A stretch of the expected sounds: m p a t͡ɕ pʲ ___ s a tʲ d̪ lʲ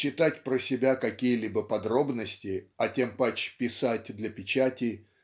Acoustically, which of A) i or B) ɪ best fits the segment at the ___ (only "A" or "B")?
B